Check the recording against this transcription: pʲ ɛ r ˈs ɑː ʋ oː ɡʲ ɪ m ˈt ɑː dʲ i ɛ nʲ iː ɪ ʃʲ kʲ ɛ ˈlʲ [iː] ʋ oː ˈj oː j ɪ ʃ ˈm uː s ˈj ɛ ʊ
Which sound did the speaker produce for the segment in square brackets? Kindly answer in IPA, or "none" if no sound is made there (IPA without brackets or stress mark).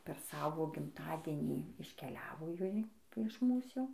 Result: æː